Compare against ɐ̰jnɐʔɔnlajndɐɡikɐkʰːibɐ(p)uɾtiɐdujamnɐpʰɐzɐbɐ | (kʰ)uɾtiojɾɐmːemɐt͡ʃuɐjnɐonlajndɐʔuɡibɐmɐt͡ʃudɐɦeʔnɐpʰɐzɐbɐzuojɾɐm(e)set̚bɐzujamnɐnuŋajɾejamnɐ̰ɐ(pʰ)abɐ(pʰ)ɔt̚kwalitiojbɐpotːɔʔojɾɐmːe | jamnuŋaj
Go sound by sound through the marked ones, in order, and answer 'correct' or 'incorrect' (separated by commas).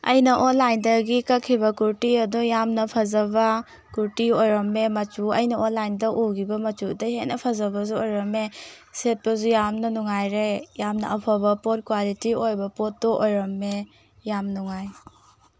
incorrect, incorrect, correct, correct, incorrect